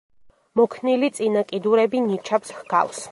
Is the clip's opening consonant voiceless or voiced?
voiced